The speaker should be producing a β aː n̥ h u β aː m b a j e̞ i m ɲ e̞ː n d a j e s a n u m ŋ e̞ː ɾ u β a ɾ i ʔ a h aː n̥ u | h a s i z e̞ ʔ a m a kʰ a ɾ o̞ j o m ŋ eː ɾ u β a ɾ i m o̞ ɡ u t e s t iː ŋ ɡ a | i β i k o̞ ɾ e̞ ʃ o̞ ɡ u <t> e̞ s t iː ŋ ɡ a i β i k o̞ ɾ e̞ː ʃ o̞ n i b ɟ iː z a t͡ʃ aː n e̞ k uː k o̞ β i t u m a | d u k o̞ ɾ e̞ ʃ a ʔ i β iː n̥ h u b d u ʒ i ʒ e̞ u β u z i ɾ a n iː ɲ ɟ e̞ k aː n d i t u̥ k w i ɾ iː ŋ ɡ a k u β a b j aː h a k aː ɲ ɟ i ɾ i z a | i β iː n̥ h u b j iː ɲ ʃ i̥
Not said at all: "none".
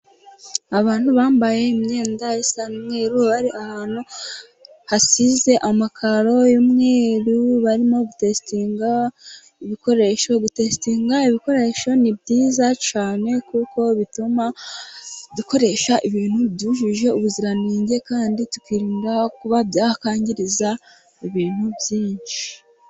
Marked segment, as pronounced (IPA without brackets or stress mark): t